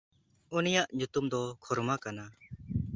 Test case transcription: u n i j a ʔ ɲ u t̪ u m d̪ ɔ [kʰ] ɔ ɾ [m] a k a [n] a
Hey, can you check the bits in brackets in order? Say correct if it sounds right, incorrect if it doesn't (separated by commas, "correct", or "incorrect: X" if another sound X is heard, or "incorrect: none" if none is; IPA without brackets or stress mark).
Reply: correct, correct, correct